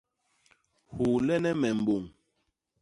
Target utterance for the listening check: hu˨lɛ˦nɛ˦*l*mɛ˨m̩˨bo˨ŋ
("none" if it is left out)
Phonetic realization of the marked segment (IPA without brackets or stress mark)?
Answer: none